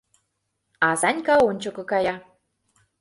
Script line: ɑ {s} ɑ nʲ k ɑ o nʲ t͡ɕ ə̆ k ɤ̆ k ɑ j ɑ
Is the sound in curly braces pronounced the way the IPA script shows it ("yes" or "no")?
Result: no